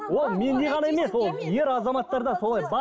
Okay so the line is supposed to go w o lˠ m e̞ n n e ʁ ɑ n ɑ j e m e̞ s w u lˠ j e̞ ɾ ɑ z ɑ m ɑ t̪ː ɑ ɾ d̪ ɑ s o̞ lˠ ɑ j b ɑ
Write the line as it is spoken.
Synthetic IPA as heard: w o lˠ m e̞ n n e ʁ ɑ n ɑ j e m e̞ s w o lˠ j e̞ ɾ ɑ z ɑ m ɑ t̪ː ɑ ɾ d̪ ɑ s o̞ lˠ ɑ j b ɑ